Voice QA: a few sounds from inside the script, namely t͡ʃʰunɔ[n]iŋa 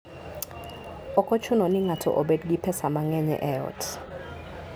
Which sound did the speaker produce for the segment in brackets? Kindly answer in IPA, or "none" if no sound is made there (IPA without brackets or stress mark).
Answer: n